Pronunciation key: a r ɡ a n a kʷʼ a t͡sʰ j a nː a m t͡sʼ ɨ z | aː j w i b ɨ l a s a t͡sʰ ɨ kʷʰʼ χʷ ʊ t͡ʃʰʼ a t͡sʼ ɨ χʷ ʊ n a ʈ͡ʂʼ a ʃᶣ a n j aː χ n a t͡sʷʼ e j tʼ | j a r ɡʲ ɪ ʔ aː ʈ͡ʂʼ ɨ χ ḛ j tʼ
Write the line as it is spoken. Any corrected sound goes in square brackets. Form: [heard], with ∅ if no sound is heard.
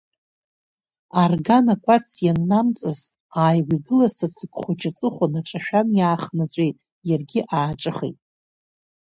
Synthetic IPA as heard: a r ɡ a n a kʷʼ a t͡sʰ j a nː a m t͡sʼ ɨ z | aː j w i [ɡ] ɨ l a s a t͡sʰ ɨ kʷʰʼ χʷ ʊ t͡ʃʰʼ a t͡sʼ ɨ χʷ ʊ n a ʈ͡ʂʼ a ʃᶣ a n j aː χ n a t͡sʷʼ e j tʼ | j a r ɡʲ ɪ ʔ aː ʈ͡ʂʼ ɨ χ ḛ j tʼ